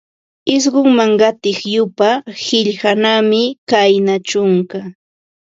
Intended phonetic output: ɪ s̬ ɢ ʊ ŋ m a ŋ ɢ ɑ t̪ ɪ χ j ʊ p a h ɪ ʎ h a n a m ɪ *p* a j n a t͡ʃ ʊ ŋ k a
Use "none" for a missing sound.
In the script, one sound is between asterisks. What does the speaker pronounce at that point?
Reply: k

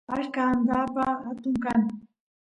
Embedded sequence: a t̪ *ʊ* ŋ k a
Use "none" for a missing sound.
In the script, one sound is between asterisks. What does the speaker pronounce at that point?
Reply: ʊ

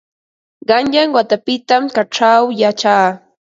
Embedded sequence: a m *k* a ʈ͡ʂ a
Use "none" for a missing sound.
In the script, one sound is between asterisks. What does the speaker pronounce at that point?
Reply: k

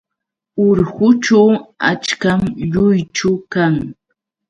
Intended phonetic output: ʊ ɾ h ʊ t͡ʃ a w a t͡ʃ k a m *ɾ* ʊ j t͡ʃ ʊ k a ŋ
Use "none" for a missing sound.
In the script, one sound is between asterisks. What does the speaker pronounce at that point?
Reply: ʎ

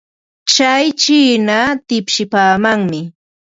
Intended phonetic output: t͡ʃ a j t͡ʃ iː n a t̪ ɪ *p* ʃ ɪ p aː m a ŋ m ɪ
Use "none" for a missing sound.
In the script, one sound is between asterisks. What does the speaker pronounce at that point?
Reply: p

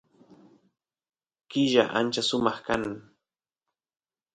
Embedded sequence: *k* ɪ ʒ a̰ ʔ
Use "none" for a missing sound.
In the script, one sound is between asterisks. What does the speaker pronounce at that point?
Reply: k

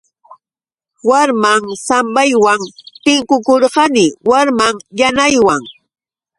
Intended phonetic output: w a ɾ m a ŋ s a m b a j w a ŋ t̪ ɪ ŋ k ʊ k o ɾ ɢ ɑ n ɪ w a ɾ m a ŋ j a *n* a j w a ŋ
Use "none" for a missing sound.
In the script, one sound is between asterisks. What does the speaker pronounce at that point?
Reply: n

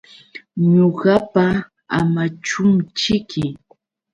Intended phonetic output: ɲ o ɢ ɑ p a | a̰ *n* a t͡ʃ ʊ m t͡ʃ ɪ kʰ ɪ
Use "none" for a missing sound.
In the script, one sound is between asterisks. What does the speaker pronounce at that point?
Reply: m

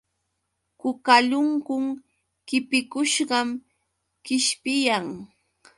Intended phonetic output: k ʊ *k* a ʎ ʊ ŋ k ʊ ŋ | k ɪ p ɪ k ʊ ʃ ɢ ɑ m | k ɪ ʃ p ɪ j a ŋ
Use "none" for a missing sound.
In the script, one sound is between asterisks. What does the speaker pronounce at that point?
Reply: k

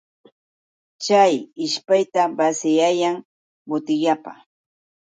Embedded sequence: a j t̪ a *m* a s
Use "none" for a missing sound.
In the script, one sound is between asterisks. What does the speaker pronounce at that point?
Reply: b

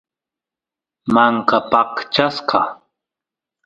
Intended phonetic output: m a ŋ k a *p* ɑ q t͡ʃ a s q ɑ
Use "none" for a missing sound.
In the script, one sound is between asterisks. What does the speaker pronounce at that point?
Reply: p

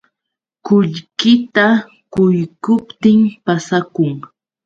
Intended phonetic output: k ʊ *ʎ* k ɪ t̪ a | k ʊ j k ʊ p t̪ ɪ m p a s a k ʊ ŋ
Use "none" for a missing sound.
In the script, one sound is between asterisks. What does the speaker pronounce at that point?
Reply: ʎ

